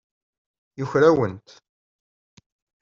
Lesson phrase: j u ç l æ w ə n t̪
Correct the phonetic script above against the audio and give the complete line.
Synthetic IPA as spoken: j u ç ɾ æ w ə n t̪